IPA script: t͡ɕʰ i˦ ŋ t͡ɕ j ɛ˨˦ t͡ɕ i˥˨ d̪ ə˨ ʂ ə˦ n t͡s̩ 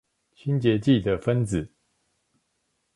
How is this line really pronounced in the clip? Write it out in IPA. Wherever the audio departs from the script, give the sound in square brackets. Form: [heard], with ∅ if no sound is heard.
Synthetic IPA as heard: t͡ɕʰ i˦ [n] t͡ɕ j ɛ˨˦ t͡ɕ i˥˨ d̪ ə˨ [f] ə˦ n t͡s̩